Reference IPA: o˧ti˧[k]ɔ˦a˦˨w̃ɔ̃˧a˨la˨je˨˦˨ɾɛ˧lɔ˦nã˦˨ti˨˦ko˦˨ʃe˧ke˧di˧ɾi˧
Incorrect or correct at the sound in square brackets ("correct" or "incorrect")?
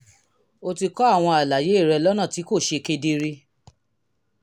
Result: correct